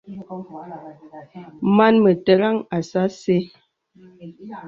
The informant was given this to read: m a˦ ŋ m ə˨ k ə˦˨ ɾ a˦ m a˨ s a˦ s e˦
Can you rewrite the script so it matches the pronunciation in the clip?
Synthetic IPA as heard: m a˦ n m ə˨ t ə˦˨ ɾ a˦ ŋ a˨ s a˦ s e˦